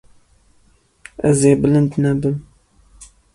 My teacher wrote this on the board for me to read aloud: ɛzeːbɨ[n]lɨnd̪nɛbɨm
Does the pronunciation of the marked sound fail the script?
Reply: yes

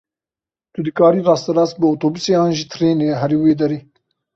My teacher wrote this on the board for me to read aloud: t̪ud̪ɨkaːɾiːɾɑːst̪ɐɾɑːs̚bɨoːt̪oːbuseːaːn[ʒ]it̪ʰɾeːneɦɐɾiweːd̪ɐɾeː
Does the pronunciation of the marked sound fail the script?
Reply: no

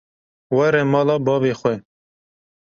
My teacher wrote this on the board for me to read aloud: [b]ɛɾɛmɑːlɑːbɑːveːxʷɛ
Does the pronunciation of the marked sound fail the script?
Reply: yes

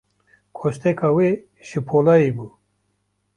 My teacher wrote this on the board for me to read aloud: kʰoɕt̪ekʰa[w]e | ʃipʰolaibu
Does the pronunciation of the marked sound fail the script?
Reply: no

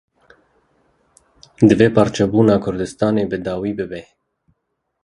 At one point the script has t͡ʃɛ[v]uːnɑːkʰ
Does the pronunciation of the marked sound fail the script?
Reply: yes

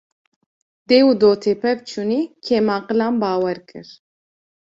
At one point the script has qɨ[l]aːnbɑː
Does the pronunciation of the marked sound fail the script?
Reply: no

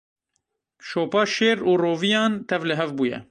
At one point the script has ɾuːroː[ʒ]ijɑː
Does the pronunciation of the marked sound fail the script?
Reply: yes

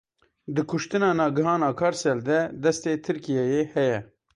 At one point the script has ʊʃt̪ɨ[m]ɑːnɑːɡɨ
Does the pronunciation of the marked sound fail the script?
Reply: yes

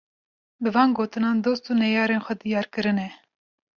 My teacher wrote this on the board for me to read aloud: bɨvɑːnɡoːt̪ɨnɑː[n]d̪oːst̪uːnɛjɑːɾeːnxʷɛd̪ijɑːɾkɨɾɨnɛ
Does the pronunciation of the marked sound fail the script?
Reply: no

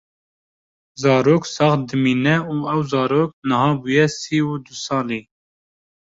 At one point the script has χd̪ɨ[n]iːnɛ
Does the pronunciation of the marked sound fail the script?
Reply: yes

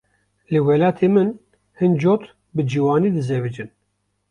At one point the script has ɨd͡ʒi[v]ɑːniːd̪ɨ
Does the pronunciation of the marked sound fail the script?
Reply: yes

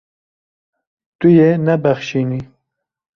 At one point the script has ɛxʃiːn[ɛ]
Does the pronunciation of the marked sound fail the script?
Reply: yes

